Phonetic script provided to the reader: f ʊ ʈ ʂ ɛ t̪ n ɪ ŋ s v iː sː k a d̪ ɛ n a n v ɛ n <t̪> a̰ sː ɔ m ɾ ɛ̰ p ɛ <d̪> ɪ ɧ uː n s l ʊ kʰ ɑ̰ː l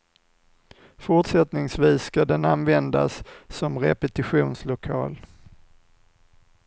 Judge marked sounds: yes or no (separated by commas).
no, no